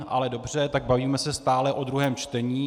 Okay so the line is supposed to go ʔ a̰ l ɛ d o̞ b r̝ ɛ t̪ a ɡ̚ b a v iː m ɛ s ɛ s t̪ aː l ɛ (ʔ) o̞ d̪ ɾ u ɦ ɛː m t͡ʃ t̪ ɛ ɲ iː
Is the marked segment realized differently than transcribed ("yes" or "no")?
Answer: no